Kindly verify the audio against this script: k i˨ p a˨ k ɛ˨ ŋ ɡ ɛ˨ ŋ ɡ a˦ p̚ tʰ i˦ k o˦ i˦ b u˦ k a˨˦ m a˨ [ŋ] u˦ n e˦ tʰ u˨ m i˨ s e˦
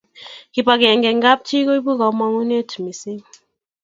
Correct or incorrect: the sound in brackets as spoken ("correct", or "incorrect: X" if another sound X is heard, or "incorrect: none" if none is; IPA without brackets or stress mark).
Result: correct